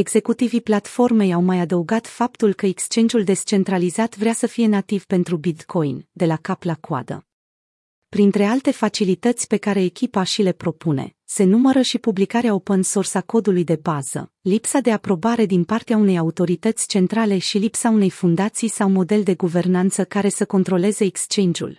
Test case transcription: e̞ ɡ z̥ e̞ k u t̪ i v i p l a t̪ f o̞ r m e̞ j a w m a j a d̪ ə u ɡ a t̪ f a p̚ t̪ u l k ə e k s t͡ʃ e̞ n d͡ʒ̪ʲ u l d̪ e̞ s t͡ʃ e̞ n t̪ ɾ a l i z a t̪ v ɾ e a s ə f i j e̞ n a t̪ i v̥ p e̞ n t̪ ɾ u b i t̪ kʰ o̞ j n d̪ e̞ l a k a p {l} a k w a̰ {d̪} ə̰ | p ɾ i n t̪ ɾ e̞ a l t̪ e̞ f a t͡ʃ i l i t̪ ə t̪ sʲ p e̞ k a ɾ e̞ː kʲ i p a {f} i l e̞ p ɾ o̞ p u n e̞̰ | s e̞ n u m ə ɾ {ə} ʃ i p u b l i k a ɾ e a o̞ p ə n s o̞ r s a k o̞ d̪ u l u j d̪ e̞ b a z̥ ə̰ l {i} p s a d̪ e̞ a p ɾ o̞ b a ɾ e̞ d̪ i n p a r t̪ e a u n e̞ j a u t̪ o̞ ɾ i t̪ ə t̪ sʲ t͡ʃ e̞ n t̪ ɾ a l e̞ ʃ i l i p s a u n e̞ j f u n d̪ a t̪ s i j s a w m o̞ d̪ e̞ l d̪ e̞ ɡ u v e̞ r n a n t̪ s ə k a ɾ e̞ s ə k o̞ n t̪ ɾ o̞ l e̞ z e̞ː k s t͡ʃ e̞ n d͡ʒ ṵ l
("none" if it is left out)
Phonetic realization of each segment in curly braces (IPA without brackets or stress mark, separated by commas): l, d̪, ʃ, ə, i